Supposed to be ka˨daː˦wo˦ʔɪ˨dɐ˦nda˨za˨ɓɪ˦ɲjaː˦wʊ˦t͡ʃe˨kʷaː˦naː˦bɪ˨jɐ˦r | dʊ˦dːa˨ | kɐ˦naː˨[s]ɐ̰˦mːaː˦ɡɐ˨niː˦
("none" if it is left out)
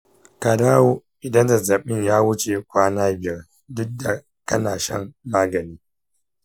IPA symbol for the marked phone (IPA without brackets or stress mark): ʃ